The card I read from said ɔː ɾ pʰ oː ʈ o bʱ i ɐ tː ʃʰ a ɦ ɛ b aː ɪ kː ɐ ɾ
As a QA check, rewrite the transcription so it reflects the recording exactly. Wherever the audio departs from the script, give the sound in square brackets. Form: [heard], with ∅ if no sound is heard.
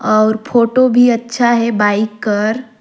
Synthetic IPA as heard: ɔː ɾ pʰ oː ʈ o bʱ i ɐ tː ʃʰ a ɦ ɛ b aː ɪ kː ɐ ɾ